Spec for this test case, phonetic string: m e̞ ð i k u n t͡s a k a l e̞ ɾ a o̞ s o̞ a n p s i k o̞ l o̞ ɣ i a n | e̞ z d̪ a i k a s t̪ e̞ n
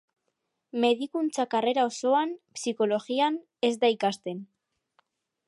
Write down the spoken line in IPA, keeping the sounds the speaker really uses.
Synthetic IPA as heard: m e̞ ð i k u n t͡s a k a r e̞ ɾ a o̞ s o̞ a n p s i k o̞ l o̞ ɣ i a n | e̞ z d̪ a i k a s t̪ e̞ n